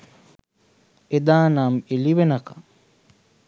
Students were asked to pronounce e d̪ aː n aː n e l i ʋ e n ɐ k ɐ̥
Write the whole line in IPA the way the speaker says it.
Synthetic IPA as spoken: e d̪ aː n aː m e l i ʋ e n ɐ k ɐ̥